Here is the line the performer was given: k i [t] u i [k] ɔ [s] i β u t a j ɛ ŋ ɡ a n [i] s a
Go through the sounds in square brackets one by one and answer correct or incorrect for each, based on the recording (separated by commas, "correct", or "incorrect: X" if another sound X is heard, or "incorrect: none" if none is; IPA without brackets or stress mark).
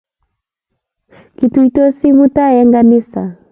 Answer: correct, incorrect: t, correct, correct